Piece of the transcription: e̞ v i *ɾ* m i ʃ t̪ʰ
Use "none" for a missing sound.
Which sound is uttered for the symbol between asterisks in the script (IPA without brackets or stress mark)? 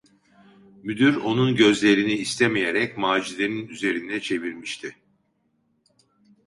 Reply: ɾ